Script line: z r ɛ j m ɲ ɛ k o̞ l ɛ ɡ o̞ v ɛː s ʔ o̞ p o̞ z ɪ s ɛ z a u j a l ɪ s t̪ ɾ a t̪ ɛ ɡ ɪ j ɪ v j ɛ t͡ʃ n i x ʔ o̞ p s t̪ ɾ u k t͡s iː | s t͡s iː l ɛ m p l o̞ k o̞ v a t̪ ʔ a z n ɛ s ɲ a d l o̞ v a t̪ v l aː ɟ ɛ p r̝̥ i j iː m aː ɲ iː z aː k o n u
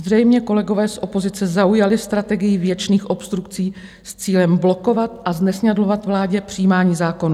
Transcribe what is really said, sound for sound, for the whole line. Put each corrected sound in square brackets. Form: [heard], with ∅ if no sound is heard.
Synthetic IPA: z r ɛ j m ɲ ɛ k o̞ l ɛ ɡ o̞ v ɛː s ʔ o̞ p o̞ z ɪ [t͡s] ɛ z a u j a l ɪ s t̪ ɾ a t̪ ɛ ɡ ɪ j ɪ v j ɛ t͡ʃ n [iː] x ʔ o̞ p s t̪ ɾ u k t͡s iː | s t͡s iː l ɛ m [b] l o̞ k o̞ v a t̪ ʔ a z n ɛ s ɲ a d l o̞ v a t̪ v l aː ɟ ɛ p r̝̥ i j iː m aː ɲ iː z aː k o n u